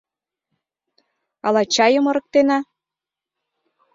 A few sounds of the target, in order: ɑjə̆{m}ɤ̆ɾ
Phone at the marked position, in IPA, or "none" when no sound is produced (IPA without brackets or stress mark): m